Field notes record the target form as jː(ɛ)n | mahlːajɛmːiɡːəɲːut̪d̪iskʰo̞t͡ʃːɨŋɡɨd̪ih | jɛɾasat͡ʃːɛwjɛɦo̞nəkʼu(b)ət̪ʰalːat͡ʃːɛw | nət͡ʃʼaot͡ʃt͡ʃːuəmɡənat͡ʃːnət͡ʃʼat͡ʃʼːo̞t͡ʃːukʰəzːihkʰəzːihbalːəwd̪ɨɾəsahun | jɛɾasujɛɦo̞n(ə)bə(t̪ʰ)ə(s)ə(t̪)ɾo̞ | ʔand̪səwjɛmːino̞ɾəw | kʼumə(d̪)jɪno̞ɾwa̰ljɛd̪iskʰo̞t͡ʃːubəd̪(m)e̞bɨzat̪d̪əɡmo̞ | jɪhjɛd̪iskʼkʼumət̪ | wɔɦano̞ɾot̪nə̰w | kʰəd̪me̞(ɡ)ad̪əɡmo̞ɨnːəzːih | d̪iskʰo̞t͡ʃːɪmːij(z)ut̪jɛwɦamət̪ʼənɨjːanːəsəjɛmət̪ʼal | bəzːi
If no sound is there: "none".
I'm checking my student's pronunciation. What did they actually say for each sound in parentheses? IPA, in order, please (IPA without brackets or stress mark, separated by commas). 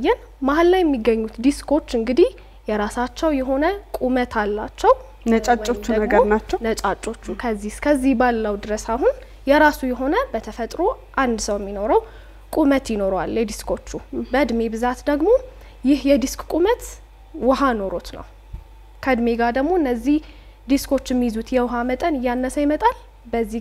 ɛ, m, ə, t̪ʰ, f, t̪ʼ, t̪, m, ɡ, z